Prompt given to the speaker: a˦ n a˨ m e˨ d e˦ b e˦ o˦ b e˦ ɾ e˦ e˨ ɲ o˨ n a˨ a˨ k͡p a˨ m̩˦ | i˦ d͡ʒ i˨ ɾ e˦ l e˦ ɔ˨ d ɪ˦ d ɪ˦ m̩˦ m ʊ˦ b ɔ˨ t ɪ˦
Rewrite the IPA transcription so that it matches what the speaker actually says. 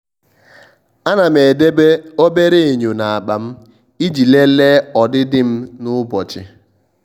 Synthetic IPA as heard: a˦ n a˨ m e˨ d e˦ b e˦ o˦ b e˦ ɾ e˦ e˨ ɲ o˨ n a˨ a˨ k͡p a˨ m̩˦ | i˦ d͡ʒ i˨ l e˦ l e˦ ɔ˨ d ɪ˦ d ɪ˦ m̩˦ n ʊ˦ b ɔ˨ t͡ʃ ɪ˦

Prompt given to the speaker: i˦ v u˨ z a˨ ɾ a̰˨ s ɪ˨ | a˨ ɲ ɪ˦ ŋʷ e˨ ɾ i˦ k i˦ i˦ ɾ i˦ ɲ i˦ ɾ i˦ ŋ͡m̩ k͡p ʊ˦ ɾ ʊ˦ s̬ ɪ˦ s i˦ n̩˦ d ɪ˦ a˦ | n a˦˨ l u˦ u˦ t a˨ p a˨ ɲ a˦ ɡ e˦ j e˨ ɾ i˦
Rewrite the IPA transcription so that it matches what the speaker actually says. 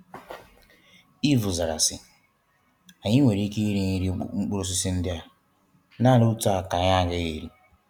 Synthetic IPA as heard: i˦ v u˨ z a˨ ɾ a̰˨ s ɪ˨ | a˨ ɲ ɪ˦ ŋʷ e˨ ɾ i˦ k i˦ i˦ ɾ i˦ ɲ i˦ ɾ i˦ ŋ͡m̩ k͡p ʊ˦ ɾ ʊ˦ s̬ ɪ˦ s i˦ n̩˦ d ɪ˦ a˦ | n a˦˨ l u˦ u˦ t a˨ k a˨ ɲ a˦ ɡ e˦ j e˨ ɾ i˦

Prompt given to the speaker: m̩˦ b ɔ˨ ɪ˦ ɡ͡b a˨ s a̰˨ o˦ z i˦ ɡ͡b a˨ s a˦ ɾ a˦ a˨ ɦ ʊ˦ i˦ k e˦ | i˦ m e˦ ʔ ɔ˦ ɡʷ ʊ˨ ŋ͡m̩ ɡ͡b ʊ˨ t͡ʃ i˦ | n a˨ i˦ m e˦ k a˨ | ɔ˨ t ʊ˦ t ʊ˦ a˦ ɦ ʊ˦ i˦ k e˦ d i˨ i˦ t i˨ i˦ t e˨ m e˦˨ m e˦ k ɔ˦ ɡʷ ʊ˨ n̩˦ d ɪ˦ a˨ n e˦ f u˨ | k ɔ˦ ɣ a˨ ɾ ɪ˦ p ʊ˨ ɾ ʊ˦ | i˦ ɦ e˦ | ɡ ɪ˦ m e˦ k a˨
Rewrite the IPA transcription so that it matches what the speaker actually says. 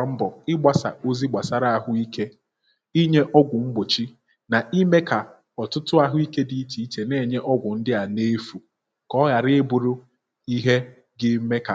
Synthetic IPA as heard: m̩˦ b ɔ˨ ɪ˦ ɡ͡b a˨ s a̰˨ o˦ z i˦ ɡ͡b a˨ s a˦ ɾ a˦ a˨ ɦ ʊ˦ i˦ k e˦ | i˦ ɲ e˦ ʔ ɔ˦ ɡʷ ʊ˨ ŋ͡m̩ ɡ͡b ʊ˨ t͡ʃ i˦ | n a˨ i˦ m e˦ k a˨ | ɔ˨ t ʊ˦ t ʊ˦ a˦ ɦ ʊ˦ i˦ k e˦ d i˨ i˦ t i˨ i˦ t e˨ n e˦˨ ɲ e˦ ʔ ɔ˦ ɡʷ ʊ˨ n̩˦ d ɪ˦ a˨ n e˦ f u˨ | k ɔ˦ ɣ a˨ ɾ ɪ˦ b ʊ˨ ɾ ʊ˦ | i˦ ɦ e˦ | ɡ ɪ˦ m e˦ k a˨

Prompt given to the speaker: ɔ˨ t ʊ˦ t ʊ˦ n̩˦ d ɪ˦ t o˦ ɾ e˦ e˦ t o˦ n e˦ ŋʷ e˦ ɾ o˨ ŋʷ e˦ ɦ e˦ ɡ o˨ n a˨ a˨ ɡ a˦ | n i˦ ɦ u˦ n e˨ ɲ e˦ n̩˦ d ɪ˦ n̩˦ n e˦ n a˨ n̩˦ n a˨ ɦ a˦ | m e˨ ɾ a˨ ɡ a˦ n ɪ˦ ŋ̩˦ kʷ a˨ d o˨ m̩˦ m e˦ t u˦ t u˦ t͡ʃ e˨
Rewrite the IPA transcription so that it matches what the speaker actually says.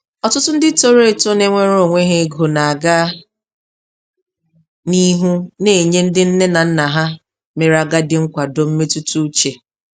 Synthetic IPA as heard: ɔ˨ t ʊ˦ t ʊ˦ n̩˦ d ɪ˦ t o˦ ɾ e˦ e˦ t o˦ n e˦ ŋʷ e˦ ɾ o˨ ŋʷ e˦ ɦ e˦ ɡ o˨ n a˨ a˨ ɡ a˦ | n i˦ ɦ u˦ n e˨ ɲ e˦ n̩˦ d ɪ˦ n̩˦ n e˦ n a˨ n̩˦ n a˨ ɦ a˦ | m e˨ ɾ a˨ ɡ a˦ d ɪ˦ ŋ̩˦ kʷ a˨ d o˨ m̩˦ m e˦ t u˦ t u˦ t͡ʃ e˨

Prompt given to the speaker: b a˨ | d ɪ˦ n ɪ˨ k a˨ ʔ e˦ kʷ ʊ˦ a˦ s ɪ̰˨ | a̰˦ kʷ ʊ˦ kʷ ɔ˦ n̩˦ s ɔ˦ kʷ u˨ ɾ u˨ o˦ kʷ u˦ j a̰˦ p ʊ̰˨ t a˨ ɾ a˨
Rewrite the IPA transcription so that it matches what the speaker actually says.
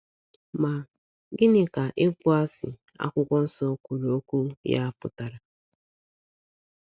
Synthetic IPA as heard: m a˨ | ɡ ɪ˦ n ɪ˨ k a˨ ʔ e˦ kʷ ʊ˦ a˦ s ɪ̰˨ | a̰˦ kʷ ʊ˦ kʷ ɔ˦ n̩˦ s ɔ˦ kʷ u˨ ɾ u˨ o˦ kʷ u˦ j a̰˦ p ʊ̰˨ t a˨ ɾ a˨

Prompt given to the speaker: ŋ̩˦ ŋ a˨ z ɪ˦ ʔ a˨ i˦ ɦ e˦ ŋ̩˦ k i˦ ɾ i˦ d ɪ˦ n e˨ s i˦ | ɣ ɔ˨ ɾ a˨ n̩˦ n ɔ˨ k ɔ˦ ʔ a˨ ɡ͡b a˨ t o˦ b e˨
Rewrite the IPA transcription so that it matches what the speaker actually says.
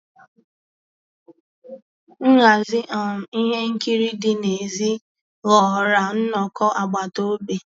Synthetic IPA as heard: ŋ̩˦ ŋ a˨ z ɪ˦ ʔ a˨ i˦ ɦ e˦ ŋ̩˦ k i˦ ɾ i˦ d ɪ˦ n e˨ z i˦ | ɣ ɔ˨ ɾ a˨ n̩˦ n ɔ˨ k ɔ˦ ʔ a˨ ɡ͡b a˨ t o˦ b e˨

